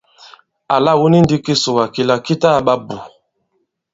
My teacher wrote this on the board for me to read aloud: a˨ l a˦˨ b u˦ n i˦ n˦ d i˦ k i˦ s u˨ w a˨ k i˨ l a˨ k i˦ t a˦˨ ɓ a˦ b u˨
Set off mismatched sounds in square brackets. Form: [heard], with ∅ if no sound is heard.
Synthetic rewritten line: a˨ l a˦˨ [w] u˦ n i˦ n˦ d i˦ k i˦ s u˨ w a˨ k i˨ l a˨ k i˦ t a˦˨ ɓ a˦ b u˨